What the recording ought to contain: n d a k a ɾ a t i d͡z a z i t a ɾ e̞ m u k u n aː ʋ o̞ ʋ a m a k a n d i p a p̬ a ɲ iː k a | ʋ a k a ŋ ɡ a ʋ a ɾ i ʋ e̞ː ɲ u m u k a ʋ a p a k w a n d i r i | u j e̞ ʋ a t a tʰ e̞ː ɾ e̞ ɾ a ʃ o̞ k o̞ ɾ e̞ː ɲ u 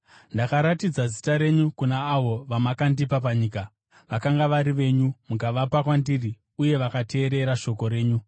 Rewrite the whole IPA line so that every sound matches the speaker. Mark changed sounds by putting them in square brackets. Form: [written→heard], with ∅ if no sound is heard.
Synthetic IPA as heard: n d a k a ɾ a t i d͡z a z i t a ɾ e̞ [m→ɲ] u k u n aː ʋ o̞ ʋ a m a k a n d i p a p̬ a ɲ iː k a | ʋ a k a ŋ ɡ a ʋ a ɾ i ʋ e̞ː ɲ u m u k a ʋ a p a k w a n d i r i | u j e̞ ʋ a [t→k] a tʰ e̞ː ɾ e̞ ɾ a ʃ o̞ k o̞ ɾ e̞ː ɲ u

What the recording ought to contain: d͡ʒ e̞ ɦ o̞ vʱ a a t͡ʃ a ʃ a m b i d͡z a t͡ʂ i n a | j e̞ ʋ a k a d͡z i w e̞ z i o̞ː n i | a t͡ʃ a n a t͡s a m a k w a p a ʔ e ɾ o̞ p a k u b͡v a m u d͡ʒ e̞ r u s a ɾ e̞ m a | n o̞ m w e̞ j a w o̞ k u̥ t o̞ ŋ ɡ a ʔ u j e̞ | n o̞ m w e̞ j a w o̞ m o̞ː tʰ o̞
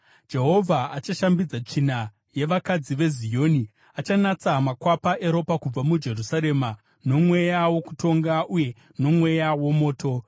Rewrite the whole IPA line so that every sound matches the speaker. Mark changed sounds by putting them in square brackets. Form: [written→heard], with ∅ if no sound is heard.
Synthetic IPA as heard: d͡ʒ e̞ ɦ o̞ vʱ a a t͡ʃ a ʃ a m b i d͡z a t͡ʂ i n a | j e̞ ʋ a k a d͡z i [w→ʋ] e̞ z i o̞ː n i | a t͡ʃ a n a t͡s a m a k w a p a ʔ e ɾ o̞ p a k u b͡v a m u d͡ʒ e̞ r u s a ɾ e̞ m a | n o̞ m w e̞ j a w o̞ k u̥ t o̞ ŋ ɡ a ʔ u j e̞ | n o̞ m w e̞ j a w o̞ m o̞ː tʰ o̞

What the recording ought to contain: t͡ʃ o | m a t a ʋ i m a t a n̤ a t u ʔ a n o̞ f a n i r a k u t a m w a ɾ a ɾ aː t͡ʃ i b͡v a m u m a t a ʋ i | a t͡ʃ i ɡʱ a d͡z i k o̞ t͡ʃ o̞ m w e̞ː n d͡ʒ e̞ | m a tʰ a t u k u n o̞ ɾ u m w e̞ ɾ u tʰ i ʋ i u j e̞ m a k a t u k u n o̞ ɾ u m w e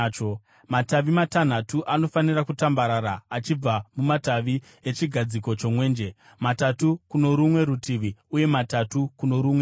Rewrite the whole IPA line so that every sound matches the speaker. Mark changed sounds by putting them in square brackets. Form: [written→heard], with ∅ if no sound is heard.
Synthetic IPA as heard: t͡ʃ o | m a t a ʋ i m a t a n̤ a t u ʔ a n o̞ f a n i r a k u t a m [w→b] a ɾ a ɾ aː t͡ʃ i b͡v a m u m a t a ʋ i | [a→e] t͡ʃ i ɡʱ a d͡z i k o̞ t͡ʃ o̞ m w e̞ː n d͡ʒ e̞ | m a [tʰ→t] a t u k u n o̞ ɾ u m w e̞ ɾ u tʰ i ʋ i u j e̞ m a [k→t] a t u k u n o̞ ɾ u m w e

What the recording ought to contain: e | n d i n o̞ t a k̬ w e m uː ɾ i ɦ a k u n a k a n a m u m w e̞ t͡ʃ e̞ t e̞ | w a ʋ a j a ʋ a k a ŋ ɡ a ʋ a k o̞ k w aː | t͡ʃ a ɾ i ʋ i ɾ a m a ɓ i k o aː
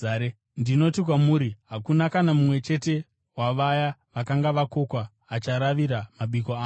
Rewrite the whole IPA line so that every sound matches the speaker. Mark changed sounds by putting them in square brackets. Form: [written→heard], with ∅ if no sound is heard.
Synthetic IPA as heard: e | n d i n o̞ t [a→i] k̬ w [e→a] m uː ɾ i ɦ a k u n a k a n a m u m w e̞ t͡ʃ e̞ t e̞ | w a ʋ a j a ʋ a k a ŋ ɡ a ʋ a k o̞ k w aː | t͡ʃ a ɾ [i→a] ʋ i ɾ a m a ɓ i k o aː

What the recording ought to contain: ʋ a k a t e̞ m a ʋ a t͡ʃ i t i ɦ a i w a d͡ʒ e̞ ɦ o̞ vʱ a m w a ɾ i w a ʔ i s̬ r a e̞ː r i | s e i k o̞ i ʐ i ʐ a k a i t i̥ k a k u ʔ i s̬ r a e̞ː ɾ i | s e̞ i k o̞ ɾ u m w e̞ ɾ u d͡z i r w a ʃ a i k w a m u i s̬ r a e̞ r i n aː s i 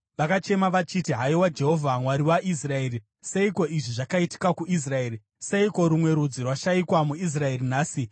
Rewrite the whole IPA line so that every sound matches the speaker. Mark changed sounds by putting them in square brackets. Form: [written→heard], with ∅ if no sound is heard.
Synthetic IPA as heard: ʋ a k a [t→t͡ʃ] e̞ m a ʋ a t͡ʃ i t i ɦ a i w a d͡ʒ e̞ ɦ o̞ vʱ a m w a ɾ i w a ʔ i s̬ r a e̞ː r i | s e i k o̞ i ʐ i ʐ a k a i t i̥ k a k u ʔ i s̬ r a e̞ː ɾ i | s e̞ i k o̞ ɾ u m w e̞ ɾ u d͡z i r w a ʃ a i k w a m u i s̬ r a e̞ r i n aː s i

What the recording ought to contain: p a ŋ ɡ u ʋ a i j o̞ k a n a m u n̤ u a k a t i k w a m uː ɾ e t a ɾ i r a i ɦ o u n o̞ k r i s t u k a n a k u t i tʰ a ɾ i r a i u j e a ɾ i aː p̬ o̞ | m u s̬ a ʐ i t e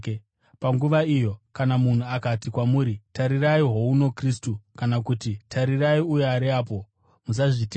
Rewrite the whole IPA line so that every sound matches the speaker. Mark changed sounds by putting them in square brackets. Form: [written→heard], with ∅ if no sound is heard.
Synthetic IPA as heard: p a ŋ ɡ u ʋ a i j o̞ k a n a m u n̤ u a k a t i k w a m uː ɾ [e→i] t a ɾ i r a i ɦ o u n o̞ k r i s t u k a n a k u t i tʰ a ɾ i r a i u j e a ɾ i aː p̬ o̞ | m u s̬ a ʐ i t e

